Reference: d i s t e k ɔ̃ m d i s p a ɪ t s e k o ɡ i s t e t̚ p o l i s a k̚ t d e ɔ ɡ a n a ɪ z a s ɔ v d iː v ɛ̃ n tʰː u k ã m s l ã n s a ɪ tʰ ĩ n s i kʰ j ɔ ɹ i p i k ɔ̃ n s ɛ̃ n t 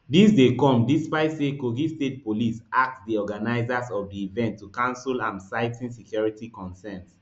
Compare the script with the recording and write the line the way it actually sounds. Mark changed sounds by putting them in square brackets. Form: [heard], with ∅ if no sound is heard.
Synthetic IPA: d i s [d] e k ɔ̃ m d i s p a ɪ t s e k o ɡ i s t e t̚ p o l i s a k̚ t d [i] ɔ ɡ a n a ɪ z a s ɔ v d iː v ɛ̃ n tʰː u k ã [n] s l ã n s a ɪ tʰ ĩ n s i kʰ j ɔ ɹ i [t] i k ɔ̃ n s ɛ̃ n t